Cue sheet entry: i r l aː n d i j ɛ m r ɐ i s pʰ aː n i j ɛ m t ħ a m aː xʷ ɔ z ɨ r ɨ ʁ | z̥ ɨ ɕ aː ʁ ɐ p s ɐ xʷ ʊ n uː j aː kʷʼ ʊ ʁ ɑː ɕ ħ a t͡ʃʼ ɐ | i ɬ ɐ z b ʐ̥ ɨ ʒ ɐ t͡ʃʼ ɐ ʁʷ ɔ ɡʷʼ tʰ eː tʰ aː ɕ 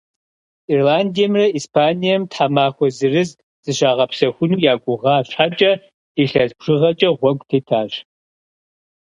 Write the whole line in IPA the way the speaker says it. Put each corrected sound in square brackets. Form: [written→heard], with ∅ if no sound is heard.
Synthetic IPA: i r l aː n d i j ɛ m r ɐ i s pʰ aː n i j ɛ m t ħ a m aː xʷ ɔ z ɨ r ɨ [ʁ→z] | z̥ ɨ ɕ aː ʁ ɐ p s ɐ xʷ ʊ n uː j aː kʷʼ ʊ ʁ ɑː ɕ ħ a t͡ʃʼ ɐ | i ɬ ɐ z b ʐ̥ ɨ [ʒ→ʁ] ɐ t͡ʃʼ ɐ ʁʷ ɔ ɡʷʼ tʰ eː tʰ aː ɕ